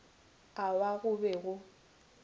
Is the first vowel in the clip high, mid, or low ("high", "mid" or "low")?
low